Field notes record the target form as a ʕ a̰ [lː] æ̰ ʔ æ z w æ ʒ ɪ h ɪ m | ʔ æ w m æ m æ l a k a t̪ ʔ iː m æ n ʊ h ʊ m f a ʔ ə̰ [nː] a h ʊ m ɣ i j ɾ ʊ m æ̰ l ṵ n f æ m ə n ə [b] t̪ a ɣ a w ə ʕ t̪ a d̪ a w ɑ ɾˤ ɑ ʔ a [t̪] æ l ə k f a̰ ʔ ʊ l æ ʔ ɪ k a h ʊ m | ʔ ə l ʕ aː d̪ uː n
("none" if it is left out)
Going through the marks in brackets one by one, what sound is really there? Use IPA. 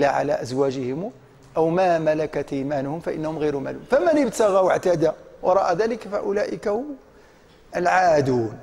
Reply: l, nː, b, d̪

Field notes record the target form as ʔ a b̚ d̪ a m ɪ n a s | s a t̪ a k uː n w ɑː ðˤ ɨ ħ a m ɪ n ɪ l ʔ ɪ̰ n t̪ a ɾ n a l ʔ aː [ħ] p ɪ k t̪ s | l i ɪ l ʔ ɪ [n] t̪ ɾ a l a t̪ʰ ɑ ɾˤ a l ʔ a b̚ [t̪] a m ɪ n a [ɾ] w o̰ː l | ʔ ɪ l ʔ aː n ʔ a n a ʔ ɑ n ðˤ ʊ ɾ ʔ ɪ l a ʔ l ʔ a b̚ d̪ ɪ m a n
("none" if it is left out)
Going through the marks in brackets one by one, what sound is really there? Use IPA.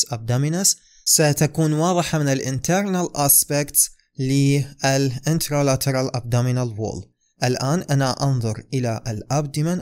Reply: s, n, d̪, l

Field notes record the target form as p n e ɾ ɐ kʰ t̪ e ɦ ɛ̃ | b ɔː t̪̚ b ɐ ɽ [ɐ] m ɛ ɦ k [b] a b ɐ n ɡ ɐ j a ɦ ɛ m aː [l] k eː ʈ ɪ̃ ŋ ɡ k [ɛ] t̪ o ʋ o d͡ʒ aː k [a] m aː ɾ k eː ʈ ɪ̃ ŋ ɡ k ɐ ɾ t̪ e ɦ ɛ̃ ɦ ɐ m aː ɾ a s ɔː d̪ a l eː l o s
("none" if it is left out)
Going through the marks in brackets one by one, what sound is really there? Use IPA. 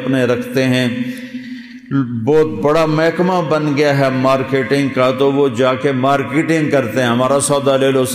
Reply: a, m, ɾ, a, e

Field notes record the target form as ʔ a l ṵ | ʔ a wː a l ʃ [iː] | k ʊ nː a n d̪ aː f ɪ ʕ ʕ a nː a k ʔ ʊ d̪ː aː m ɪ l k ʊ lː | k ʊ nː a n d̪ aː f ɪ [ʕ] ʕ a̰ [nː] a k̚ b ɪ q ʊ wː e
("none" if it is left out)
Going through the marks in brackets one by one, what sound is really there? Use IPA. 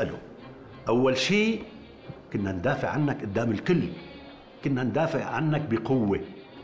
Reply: iː, ʕ, nː

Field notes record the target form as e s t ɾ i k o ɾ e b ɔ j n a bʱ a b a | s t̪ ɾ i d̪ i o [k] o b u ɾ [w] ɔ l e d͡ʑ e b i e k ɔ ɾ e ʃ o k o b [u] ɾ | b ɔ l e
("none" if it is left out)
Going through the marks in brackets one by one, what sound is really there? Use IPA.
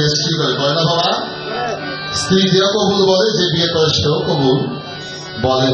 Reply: k, b, u

